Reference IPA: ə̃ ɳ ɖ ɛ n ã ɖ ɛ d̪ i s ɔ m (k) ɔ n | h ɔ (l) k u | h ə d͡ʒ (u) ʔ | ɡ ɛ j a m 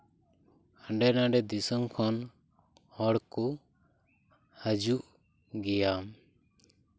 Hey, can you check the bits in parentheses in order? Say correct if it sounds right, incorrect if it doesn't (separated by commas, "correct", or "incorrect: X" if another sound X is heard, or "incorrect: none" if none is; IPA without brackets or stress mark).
incorrect: kʰ, incorrect: ɽ, correct